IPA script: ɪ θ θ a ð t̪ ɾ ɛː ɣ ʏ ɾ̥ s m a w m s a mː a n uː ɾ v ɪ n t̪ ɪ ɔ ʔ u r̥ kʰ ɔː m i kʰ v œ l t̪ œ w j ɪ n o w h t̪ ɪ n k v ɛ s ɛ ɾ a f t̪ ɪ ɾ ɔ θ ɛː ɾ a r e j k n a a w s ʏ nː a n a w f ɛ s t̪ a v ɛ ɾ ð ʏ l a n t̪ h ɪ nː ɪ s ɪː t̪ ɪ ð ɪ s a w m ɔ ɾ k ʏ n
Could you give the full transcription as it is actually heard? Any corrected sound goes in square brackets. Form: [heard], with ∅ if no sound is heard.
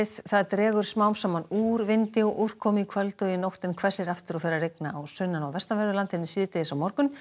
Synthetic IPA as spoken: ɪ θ θ a ð t̪ ɾ ɛː ɣ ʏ ɾ̥ s m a w m s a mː a n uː ɾ v ɪ n t̪ ɪ ɔ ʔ u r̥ kʰ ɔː m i kʰ v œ l t̪ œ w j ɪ n o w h t̪ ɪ n [kʰ] v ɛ s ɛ ɾ a f t̪ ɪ ɾ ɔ [f] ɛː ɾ a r e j k n a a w s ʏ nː a n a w [v] ɛ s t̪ a v ɛ ɾ ð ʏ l a n t̪ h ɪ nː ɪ s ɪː t̪ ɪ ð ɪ s a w m ɔ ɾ k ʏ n